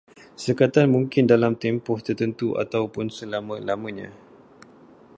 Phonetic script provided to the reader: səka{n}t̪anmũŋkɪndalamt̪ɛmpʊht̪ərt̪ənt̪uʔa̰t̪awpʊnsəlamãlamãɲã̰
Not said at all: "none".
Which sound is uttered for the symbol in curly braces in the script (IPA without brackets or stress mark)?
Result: none